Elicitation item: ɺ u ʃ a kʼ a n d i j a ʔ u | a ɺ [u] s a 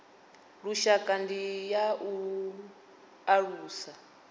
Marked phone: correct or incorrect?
incorrect